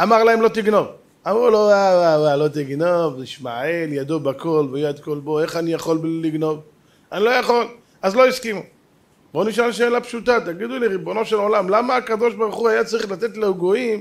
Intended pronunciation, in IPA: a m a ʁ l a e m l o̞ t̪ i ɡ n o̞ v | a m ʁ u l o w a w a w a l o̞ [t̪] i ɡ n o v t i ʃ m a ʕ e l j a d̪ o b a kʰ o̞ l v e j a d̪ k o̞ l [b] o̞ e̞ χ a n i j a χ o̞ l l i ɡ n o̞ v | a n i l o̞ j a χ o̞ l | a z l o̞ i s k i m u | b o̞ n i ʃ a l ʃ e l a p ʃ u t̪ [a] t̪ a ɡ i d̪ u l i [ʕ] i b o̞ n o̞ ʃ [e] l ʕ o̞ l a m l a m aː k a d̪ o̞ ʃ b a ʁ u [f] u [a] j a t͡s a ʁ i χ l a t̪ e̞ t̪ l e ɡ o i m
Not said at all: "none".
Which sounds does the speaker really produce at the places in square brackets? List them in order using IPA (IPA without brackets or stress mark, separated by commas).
t̪, b, a, ʁ, e, χ, a